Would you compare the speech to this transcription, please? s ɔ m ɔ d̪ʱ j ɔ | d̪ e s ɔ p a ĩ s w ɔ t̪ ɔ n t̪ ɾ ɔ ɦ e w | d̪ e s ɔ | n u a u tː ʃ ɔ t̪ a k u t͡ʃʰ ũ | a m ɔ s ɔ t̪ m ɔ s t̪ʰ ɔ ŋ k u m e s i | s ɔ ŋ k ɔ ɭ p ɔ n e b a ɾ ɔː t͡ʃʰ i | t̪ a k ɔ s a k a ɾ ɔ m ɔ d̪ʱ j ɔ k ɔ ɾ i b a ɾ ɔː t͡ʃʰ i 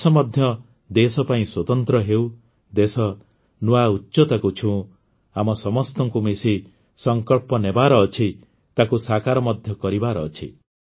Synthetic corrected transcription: s ɔ m ɔ d̪ʱ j ɔ | d̪ e s ɔ p a ĩ s w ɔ t̪ ɔ n t̪ ɾ ɔ ɦ e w | d̪ e s ɔ | n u a u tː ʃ ɔ t̪ a k u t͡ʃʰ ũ | a m ɔ s ɔ m ɔ s t̪ ɔ ŋ k u m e s i | s ɔ ŋ k ɔ ɭ p ɔ n e b a ɾ ɔː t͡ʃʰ i | t̪ a k u s a k a ɾ ɔ m ɔ d̪ʱ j ɔ k ɔ ɾ i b a ɾ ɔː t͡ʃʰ i

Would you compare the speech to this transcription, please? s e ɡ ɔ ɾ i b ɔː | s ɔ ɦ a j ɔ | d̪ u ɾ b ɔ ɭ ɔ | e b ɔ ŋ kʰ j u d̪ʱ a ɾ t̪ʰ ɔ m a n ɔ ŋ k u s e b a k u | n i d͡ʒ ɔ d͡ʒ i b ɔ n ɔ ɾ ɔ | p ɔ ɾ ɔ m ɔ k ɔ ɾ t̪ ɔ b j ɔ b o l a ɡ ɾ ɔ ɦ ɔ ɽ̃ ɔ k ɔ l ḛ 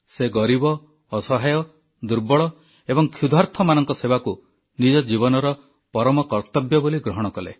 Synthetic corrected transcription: s e ɡ ɔ ɾ i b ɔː | s ɔ ɦ a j ɔ | d̪ u ɾ b ɔ ɭ ɔ | e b ɔ ŋ kʰ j u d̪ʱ a ɾ t̪ʰ ɔ m a n ɔ ŋ k ɔ s e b a k u | n i d͡ʒ ɔ d͡ʒ i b ɔ n ɔ ɾ ɔ | p ɔ ɾ ɔ m ɔ k ɔ ɾ t̪ ɔ b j ɔ b o l i ɡ ɾ ɔ ɦ ɔ ɽ̃ ɔ k ɔ l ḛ

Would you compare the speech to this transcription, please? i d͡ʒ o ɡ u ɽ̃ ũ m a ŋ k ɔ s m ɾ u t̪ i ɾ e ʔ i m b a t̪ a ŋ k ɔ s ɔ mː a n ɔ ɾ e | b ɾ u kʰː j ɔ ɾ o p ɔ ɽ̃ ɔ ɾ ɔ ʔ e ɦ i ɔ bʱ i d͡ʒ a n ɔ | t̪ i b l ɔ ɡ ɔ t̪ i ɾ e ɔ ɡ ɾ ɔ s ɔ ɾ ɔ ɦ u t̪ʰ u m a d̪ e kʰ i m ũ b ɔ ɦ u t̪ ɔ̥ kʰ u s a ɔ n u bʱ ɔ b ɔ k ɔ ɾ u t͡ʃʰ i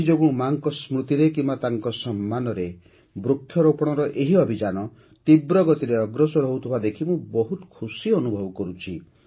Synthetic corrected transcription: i d͡ʒ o ɡ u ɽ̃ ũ m a ŋ k ɔ s m ɾ u t̪ i ɾ e k i m b a t̪ a ŋ k ɔ s ɔ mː a n ɔ ɾ e | b ɾ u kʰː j ɔ ɾ o p ɔ ɽ̃ ɔ ɾ ɔ ʔ e ɦ i ɔ bʱ i d͡ʒ a n ɔ | t̪ i b ɾ ɔ ɡ ɔ t̪ i ɾ e ɔ ɡ ɾ ɔ s ɔ ɾ ɔ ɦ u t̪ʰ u b a d̪ e kʰ i m ũ b ɔ ɦ u t̪ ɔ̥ kʰ u s i ɔ n u bʱ ɔ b ɔ k ɔ ɾ u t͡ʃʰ i

